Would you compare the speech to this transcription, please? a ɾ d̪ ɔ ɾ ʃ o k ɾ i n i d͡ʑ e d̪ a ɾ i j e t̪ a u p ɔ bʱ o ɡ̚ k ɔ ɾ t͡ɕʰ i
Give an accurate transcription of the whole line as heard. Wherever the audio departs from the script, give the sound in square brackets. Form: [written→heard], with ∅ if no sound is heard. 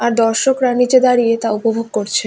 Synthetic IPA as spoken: a ɾ d̪ ɔ ɾ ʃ o k ɾ [i→a] n i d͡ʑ e d̪ a ɾ i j e t̪ a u p [ɔ→o] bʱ o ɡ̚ k [ɔ→o] ɾ t͡ɕʰ [i→e]